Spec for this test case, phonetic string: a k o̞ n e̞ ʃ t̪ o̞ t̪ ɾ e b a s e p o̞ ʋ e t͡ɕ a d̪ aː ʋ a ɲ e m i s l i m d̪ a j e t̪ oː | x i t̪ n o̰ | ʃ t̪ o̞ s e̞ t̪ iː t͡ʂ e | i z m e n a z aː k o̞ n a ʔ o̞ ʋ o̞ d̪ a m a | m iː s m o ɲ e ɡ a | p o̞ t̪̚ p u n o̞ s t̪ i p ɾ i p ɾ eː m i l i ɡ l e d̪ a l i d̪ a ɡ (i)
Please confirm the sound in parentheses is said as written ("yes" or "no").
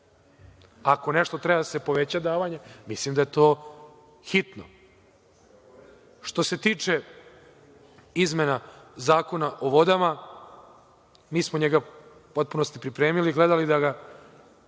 no